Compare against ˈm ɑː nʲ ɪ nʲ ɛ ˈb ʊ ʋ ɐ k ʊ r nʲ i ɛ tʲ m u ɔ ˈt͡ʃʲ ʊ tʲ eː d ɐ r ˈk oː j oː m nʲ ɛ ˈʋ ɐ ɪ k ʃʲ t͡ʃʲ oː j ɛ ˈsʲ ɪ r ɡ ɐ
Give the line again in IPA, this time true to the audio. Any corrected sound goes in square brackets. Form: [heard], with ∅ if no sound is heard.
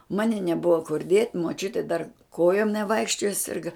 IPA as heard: ˈm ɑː nʲ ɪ nʲ ɛ ˈb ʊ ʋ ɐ k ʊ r [dʲ] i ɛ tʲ m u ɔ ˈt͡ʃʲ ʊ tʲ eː d ɐ r ˈk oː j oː m nʲ ɛ ˈʋ ɐ ɪ k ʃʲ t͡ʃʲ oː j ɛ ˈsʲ ɪ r ɡ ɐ

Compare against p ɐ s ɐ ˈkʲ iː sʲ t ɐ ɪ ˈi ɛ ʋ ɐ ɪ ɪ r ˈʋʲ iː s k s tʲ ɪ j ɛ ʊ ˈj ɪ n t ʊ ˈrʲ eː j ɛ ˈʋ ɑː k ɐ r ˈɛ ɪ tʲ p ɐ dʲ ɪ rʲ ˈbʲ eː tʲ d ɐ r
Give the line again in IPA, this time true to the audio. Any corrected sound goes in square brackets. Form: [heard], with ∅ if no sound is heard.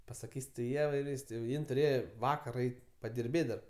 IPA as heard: p ɐ s ɐ ˈkʲ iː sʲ t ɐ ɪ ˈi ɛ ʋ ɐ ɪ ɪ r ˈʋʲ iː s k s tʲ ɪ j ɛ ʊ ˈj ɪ n t ʊ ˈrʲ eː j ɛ ˈʋ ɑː k ɐ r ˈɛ ɪ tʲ p ɐ dʲ ɪ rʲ ˈbʲ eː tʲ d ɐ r

